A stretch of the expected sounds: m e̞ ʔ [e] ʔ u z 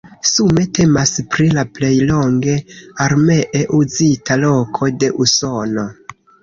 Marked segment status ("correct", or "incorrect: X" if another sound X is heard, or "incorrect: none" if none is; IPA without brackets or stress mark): correct